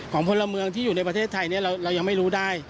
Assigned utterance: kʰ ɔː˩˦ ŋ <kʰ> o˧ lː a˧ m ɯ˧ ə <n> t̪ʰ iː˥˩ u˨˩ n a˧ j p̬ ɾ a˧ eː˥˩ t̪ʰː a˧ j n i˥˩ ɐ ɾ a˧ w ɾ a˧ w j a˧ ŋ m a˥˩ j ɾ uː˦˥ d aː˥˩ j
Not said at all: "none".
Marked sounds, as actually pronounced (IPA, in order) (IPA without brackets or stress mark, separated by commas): pʰ, ŋ